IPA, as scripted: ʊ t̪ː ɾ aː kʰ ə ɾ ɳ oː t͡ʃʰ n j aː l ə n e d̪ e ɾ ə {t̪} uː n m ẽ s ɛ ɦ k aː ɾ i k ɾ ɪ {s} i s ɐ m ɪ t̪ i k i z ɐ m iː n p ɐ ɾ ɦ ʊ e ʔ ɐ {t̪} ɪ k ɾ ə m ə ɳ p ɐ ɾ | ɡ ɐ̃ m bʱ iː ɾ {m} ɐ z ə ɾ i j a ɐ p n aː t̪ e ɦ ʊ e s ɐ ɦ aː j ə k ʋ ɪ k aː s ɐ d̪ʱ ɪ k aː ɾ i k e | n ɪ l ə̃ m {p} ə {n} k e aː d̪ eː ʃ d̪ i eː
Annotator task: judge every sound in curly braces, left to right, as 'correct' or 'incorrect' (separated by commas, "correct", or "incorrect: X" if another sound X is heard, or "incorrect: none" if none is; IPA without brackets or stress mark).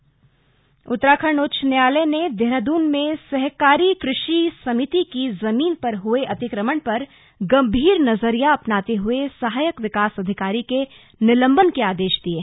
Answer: incorrect: d̪, incorrect: ʃ, correct, incorrect: n, incorrect: b, correct